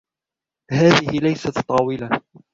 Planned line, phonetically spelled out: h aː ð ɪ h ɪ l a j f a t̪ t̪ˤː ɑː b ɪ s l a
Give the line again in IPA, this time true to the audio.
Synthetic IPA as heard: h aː ð ɪ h ɪ l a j s a t̪ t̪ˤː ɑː w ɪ l a

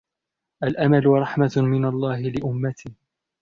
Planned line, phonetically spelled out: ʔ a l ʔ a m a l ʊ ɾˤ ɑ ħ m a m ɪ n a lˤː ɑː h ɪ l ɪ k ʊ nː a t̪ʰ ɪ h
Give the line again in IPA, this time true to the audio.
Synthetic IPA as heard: ʔ a l ʔ a m a l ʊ ɾˤ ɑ ħ m a m ɪ n a lˤː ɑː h ɪ l ɪ ʔ ʊ mː a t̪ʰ ɪ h

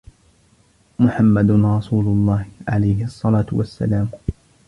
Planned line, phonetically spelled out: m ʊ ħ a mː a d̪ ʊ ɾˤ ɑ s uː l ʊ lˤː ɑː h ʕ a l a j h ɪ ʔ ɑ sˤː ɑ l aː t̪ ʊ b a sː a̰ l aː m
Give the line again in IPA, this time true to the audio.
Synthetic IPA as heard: m ʊ ħ a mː a d̪ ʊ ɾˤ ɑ s uː l ʊ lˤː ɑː h ʕ a l a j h ɪ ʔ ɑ sˤː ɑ l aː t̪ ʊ w a sː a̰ l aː m

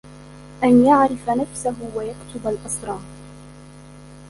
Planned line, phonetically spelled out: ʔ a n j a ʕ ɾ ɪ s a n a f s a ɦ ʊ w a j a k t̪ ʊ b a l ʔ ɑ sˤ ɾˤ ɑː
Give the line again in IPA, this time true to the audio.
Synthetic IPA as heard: ʔ a n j a ʕ ɾ ɪ f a n a f s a ɦ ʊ w a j a k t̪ ʊ b a l ʔ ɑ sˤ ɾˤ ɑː

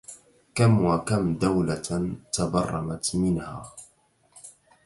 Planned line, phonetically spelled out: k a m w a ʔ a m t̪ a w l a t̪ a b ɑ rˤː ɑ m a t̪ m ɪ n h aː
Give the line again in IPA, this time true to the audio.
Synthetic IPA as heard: k a m w a k a m d̪ a w l a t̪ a b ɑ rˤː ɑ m a t̪ m ɪ n h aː

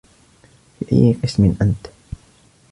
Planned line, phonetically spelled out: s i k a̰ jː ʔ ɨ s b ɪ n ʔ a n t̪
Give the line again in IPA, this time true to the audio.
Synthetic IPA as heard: f i ʔ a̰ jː q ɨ s m ɪ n ʔ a n t̪

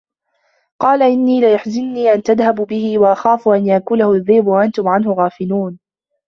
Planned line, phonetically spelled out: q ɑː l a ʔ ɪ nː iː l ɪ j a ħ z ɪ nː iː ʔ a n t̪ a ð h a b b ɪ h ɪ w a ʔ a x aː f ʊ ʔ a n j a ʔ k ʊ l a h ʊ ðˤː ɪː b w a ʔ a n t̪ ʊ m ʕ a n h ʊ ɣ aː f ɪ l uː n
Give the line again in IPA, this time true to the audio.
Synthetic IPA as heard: q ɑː l a ʔ ɪ nː iː l ɪ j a ħ z ɪ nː iː ʔ a n t̪ a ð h a b b ɪ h ɪ w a ʔ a x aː f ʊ ʔ a n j a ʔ k ʊ l a h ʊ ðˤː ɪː b w a ʔ a n t̪ ʊ m ʕ a n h ʊ ɣ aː f ɪ l uː n

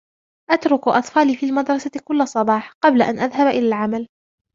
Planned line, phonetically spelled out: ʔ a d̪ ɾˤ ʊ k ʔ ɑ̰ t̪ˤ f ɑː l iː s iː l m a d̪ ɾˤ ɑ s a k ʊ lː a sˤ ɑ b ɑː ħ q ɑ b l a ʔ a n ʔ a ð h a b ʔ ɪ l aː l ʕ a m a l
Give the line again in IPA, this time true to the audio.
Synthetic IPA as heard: ʔ a t̪ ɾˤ ʊ k ʔ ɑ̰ t̪ˤ f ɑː l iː f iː l m a d̪ ɾˤ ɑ s a k ʊ lː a sˤ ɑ b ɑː ħ q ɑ b l a ʔ a n ʔ a ð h a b ʔ ɪ l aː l ʕ a m a l

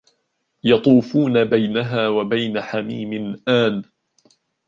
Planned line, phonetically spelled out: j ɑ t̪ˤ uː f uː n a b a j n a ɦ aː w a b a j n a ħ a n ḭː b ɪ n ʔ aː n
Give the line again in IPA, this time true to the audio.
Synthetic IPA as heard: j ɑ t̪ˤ uː f uː n a b a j n a ɦ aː w a b a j n a ħ a m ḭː m ɪ n ʔ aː n

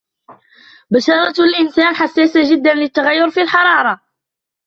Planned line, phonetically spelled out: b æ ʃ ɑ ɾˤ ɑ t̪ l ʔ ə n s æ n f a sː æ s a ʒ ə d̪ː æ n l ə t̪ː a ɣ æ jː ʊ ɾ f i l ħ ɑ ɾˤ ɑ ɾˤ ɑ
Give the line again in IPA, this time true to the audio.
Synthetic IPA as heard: b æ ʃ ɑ ɾˤ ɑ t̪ l ʔ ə n s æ n ħ a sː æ s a ʒ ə d̪ː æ n l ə t̪ː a ɣ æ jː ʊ ɾ f i l ħ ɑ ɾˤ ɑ ɾˤ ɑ

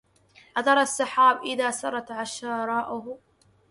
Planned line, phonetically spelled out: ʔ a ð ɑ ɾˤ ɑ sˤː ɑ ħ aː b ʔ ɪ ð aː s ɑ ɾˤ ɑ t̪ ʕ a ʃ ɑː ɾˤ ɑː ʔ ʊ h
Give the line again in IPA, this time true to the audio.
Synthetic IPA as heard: ʔ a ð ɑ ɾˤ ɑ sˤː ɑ ħ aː b ʔ ɪ ð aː s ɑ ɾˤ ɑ t̪ ʕ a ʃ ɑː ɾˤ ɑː ʔ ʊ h

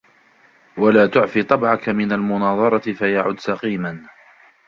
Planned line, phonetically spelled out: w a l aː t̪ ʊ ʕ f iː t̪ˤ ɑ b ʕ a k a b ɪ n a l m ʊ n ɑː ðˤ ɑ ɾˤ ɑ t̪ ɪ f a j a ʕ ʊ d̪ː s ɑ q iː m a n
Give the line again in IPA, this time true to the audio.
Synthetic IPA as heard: w a l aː t̪ ʊ ʕ f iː t̪ˤ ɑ b ʕ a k a m ɪ n a l m ʊ n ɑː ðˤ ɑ ɾˤ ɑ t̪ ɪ f a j a ʕ ʊ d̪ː s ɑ q iː m a n

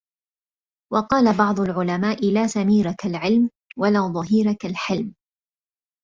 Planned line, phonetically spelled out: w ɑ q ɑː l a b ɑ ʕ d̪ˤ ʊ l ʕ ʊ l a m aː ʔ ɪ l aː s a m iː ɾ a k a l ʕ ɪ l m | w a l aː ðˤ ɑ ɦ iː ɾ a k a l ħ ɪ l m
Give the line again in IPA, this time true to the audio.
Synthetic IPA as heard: w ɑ q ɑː l a b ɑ ʕ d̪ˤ ʊ l ʕ ʊ l a m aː ʔ ɪ l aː s a m iː ɾ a k a l ʕ ɪ l m | w a l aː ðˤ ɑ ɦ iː ɾ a k a l ħ ɪ l m

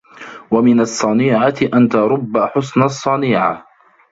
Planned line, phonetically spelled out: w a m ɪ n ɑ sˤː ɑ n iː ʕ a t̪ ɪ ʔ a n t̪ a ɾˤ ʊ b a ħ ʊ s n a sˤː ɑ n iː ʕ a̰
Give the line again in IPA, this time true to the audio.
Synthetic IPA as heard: w a m ɪ n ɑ sˤː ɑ n iː ʕ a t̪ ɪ ʔ a n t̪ a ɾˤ ʊ bː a ħ ʊ s n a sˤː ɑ n iː ʕ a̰

